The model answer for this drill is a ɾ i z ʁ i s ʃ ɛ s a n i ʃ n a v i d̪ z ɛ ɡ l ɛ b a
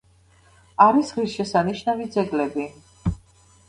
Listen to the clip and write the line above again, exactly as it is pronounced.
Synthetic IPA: a ɾ i s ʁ i s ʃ ɛ s a n i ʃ n a v i d̪ z ɛ ɡ l ɛ b i